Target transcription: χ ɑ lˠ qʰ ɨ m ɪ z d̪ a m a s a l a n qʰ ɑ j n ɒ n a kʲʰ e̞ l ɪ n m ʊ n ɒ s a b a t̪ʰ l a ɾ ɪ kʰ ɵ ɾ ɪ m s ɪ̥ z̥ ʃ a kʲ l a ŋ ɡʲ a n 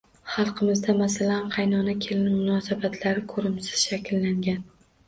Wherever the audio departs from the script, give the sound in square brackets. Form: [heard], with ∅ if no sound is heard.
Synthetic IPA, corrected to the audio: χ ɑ lˠ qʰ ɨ m ɪ z d̪ a m a s a l a n qʰ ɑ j n ɒ n a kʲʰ e̞ l ɪ n m ʊ n ɒ s a b a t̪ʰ l a ɾ ɪ kʰ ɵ ɾ ɪ m s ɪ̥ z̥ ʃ a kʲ [lː] a ŋ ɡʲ a n